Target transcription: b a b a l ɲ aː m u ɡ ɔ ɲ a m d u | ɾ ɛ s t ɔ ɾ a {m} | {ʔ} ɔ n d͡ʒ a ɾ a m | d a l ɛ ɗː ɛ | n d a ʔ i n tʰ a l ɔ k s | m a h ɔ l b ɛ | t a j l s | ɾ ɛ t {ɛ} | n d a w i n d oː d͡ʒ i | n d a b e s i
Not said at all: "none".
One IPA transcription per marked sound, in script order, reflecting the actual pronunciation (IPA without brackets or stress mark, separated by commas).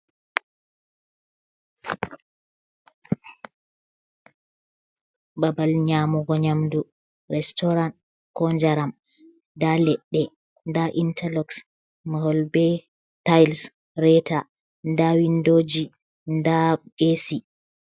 n, k, a